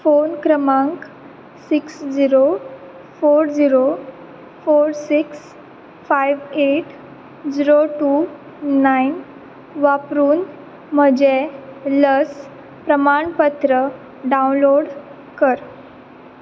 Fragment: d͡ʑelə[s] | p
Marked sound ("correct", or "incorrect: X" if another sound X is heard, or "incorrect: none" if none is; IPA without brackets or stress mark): correct